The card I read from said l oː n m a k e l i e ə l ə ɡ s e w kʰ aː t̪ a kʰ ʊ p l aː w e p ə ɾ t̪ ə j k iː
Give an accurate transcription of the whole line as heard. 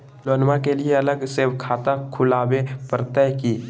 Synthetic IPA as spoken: l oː n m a k e l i e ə l ə ɡ s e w kʰ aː t̪ a kʰ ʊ l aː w e p ə ɾ t̪ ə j k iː